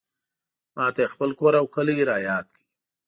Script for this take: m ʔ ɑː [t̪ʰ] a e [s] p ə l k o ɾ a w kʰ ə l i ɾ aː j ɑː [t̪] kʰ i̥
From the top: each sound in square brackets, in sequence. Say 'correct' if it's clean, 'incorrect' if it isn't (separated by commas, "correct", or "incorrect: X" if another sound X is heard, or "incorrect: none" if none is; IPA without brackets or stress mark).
incorrect: t̪, incorrect: x, correct